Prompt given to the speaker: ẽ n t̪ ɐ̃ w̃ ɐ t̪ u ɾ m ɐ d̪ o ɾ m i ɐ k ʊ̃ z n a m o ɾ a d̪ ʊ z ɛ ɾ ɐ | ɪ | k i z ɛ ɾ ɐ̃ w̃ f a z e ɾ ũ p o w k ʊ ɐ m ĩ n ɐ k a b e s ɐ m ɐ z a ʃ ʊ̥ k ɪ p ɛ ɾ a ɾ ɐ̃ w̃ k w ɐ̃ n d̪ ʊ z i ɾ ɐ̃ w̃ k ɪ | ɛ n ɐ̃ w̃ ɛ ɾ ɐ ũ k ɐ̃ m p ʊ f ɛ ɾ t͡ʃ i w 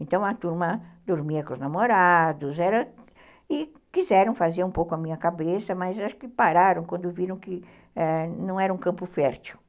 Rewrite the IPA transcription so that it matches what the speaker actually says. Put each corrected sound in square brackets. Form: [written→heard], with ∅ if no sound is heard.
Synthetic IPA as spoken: ẽ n t̪ ɐ̃ w̃ ɐ t̪ u ɾ m ɐ d̪ o ɾ m i ɐ k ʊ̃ z n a m o ɾ a d̪ ʊ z ɛ ɾ ɐ | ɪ | k i z ɛ ɾ ɐ̃ w̃ f a z e ɾ ũ p o w k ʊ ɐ m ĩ [n→ɲ] ɐ k a b e s ɐ m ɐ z a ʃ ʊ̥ k ɪ p [ɛ→a] ɾ a ɾ ɐ̃ w̃ k w ɐ̃ n d̪ ʊ [z→v] i ɾ ɐ̃ w̃ k ɪ | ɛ n ɐ̃ w̃ ɛ ɾ ɐ ũ k ɐ̃ m p ʊ f ɛ ɾ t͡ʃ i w

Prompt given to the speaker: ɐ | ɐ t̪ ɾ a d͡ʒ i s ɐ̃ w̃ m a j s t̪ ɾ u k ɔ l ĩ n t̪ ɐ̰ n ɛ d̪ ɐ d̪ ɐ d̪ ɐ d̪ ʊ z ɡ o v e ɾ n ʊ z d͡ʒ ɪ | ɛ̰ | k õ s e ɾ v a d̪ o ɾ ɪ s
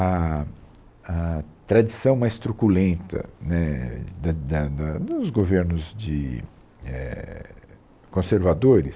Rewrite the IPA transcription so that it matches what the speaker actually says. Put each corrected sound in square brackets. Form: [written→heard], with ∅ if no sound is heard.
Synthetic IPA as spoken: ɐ | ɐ t̪ ɾ a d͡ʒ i s ɐ̃ w̃ m a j s t̪ ɾ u k [ɔ→u] l [ĩ→ẽ] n t̪ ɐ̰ n ɛ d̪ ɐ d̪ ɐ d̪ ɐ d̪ ʊ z ɡ o v e ɾ n ʊ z d͡ʒ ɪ | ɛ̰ | k õ s e ɾ v a d̪ o ɾ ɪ s

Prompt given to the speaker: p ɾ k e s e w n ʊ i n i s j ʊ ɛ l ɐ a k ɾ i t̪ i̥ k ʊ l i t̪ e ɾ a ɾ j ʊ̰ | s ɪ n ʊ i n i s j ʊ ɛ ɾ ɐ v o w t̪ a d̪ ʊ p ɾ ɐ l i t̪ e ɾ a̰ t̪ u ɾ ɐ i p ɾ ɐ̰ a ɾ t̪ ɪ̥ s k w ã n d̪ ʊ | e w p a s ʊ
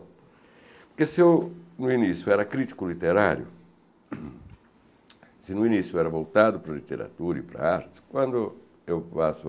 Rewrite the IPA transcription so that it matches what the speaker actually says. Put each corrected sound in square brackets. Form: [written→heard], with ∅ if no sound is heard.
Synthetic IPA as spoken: p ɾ k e s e w n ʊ i n i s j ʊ ɛ [l→ɾ] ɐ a k ɾ i t̪ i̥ k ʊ l i t̪ e ɾ a ɾ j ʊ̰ | s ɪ n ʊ i n i s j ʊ ɛ ɾ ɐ v o w t̪ a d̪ ʊ p ɾ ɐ l i t̪ e ɾ a̰ t̪ u ɾ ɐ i p ɾ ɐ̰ a ɾ t̪ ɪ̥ s k w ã n d̪ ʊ | e w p a s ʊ

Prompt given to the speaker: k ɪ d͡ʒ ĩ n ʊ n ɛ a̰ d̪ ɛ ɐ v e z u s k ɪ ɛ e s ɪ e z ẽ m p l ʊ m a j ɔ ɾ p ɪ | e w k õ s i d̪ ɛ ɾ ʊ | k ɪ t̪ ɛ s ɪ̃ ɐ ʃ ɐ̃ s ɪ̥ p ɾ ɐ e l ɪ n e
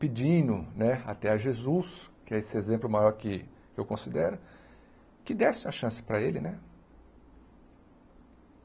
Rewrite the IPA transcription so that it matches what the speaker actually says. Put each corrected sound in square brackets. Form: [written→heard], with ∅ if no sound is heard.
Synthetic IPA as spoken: [k→p] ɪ d͡ʒ ĩ n ʊ n ɛ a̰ [d̪→t̪] ɛ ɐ [v→ʒ] e z u s k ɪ ɛ e s ɪ e z ẽ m p l ʊ m a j ɔ ɾ [p→k] ɪ | e w k õ s i d̪ ɛ ɾ ʊ | k ɪ [t̪→d̪] ɛ s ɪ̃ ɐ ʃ ɐ̃ s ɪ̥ p ɾ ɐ e l ɪ n [e→ɛ]

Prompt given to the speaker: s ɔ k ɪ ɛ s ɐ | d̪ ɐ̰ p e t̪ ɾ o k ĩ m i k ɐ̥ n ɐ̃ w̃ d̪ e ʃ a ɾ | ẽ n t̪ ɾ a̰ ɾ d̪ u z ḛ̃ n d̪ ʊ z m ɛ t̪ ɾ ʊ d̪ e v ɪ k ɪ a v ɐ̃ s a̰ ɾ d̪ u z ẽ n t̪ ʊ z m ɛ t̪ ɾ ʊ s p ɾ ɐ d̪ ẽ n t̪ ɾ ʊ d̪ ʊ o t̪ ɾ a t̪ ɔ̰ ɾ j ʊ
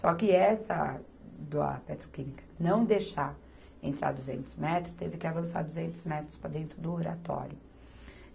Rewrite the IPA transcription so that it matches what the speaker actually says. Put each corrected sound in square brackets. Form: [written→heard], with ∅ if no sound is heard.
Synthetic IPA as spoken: s ɔ k ɪ ɛ s ɐ | d̪ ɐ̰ p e t̪ ɾ o k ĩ m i k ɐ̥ n ɐ̃ w̃ d̪ e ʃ a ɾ | ẽ n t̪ ɾ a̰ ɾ d̪ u z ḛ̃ n [d̪→t̪] ʊ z m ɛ t̪ ɾ ʊ [d̪→t̪] e v ɪ k ɪ a v ɐ̃ s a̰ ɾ d̪ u z ẽ n t̪ ʊ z m ɛ t̪ ɾ ʊ s p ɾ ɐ d̪ ẽ n t̪ ɾ ʊ d̪ ʊ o [t̪→∅] ɾ a t̪ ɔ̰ ɾ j ʊ

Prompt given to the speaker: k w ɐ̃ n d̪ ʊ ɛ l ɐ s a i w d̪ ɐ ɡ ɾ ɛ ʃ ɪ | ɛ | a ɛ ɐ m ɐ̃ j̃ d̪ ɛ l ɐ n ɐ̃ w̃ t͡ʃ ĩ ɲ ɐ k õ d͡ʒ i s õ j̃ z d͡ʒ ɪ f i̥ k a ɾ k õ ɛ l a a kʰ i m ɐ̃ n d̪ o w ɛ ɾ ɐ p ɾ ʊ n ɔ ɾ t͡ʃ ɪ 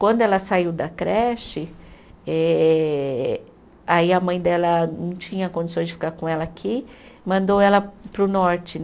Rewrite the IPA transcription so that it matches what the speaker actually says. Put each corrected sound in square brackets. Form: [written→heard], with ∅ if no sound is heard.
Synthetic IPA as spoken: k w ɐ̃ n d̪ ʊ ɛ l ɐ s a i w d̪ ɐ [ɡ→k] ɾ ɛ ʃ ɪ | ɛ | a [ɛ→i] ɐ m ɐ̃ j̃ d̪ ɛ l ɐ n ɐ̃ w̃ t͡ʃ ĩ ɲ ɐ k õ d͡ʒ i s õ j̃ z d͡ʒ ɪ f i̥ k a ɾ k õ ɛ l [a→ɐ] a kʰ i m ɐ̃ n d̪ o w ɛ [ɾ→l] ɐ p ɾ ʊ n ɔ ɾ t͡ʃ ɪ

